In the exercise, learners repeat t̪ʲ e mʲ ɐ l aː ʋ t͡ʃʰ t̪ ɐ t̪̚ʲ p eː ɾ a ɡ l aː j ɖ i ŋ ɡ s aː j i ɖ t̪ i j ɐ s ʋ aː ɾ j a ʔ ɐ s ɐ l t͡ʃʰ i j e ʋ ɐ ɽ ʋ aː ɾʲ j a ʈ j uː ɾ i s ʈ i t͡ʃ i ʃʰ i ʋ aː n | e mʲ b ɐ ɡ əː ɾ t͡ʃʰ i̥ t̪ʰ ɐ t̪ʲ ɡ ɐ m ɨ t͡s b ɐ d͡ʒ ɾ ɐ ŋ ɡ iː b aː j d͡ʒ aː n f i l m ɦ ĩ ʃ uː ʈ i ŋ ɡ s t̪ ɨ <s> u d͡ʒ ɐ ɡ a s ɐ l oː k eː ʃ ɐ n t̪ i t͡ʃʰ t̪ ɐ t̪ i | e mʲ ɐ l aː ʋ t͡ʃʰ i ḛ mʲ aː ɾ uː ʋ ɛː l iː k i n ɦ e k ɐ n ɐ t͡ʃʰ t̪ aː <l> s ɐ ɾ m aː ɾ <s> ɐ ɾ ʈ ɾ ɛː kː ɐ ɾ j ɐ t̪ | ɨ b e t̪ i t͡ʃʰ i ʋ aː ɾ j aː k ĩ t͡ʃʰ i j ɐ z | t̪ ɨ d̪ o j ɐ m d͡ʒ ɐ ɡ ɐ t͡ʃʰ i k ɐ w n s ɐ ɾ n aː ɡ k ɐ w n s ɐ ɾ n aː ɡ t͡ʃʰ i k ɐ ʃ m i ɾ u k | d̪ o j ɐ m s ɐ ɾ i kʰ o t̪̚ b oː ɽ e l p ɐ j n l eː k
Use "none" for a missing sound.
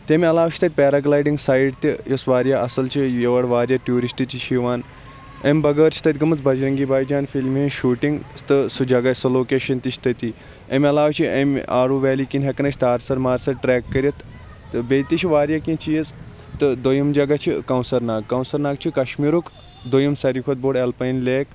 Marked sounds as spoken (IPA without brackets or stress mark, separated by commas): s, ɾ, s